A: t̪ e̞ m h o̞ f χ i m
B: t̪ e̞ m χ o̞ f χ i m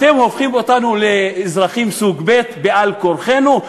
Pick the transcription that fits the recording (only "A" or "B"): A